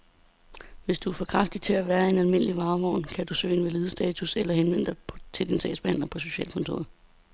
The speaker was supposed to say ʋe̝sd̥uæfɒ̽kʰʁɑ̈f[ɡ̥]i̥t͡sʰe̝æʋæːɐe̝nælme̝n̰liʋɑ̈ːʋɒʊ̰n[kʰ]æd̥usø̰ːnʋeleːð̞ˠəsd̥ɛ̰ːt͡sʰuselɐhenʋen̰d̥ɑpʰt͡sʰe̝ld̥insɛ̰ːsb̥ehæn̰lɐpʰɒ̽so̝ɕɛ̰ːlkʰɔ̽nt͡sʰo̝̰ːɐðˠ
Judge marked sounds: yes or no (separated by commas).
no, yes